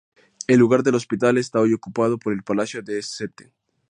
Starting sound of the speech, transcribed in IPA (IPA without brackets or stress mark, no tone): e̞